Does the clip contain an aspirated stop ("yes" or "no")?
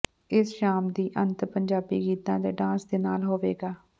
no